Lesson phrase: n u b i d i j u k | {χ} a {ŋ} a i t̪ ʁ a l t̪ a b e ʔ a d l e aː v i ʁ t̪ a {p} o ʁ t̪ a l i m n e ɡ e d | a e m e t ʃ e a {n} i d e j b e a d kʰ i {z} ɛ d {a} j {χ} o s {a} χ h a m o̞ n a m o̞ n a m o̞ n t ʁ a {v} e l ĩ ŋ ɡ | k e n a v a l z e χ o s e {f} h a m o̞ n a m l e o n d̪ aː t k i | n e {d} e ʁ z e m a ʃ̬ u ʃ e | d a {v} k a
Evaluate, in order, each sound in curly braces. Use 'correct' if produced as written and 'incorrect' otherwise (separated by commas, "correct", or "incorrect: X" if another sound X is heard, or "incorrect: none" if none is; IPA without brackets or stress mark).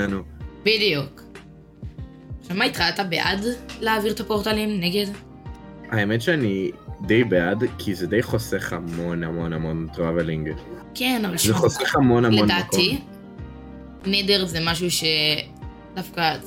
incorrect: ʃ, incorrect: m, correct, correct, correct, incorrect: e, correct, incorrect: e, correct, incorrect: χ, correct, incorrect: f